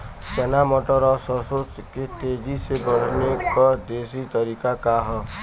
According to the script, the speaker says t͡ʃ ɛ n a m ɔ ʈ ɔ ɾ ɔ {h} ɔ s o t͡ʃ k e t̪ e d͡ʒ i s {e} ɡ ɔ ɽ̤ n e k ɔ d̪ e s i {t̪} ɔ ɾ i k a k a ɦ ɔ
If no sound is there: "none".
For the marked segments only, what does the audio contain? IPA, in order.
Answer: s, e, t̪

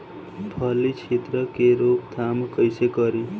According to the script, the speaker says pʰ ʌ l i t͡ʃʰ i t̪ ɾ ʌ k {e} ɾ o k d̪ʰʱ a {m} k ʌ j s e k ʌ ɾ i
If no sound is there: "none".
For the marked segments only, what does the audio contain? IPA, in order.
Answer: e, m

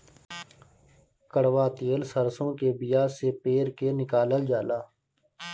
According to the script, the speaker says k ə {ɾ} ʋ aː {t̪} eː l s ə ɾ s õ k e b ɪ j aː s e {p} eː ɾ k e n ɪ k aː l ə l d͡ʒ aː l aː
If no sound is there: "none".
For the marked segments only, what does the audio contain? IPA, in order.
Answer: ɽ, t̪, p

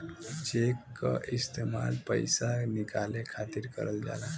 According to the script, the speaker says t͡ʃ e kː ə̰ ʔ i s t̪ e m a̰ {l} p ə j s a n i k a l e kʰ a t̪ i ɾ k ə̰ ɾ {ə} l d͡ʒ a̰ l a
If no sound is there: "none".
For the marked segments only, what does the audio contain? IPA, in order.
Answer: l, ə

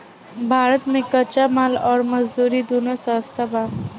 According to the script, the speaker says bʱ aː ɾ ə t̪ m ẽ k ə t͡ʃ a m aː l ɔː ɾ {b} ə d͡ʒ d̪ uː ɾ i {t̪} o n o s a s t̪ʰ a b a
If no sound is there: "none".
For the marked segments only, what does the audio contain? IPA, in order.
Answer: m, d̪

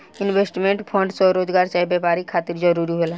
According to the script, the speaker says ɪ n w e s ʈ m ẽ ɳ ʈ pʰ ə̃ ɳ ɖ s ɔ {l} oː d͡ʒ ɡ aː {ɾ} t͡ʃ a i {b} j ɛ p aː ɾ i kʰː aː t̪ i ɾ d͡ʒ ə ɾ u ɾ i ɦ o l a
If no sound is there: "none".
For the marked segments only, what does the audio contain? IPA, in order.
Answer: ɾ, ɾ, b

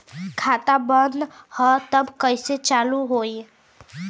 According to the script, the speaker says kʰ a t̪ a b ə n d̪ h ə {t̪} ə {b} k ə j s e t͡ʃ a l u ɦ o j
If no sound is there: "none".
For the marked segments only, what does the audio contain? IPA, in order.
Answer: t̪, b

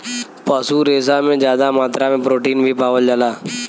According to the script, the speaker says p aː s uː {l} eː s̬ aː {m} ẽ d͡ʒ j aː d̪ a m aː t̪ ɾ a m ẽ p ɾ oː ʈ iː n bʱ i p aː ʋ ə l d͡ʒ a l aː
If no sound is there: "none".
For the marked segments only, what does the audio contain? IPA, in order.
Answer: ɾ, m

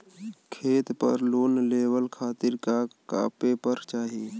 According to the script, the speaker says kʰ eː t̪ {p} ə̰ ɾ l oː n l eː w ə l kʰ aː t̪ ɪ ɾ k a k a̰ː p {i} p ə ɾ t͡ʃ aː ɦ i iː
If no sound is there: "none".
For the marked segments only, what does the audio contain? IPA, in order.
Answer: p, e

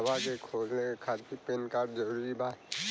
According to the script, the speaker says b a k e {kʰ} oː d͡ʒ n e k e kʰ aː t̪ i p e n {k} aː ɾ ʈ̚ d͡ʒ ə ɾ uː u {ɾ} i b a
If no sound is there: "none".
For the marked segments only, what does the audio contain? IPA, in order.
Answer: kʰ, k, ɾ

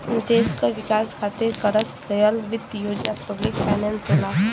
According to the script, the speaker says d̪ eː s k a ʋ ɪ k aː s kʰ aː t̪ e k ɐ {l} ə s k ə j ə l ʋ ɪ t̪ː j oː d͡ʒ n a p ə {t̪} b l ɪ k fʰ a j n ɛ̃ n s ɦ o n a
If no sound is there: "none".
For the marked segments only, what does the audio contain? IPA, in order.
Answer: ɾ, none

